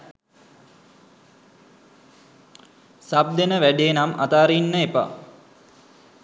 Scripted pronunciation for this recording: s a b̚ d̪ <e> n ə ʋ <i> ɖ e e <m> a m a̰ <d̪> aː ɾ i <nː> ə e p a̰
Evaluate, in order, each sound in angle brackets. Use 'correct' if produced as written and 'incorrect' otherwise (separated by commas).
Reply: correct, incorrect, incorrect, incorrect, correct